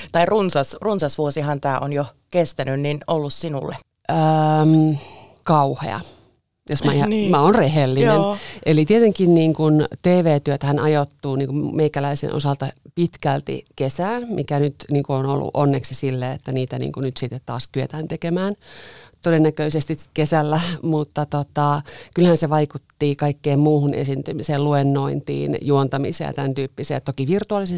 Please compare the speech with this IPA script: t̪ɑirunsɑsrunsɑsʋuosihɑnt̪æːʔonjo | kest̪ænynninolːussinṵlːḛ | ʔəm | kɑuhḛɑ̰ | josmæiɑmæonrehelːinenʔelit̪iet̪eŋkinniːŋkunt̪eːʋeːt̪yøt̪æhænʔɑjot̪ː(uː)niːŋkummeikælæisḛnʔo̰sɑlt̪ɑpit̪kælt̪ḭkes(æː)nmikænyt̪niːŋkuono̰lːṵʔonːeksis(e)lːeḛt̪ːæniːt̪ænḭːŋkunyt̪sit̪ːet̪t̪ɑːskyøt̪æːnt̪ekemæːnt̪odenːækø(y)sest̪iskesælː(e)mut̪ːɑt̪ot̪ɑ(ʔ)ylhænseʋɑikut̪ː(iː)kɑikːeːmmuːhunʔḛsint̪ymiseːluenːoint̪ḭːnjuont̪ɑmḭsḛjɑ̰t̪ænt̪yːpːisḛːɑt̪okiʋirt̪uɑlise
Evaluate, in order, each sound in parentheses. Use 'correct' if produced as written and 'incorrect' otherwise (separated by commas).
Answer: correct, correct, incorrect, incorrect, incorrect, incorrect, correct